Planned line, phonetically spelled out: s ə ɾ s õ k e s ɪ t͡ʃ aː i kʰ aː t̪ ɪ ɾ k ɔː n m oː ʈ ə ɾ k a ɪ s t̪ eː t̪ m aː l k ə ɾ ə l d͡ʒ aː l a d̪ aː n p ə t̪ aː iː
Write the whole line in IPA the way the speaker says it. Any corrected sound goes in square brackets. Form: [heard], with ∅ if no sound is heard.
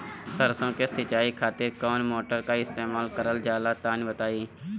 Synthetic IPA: s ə ɾ s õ k e s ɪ t͡ʃ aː i kʰ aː t̪ ɪ ɾ k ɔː n m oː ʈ ə ɾ k a ɪ s t̪ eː [∅] m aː l k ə ɾ ə l d͡ʒ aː l a [t̪] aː n [b] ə t̪ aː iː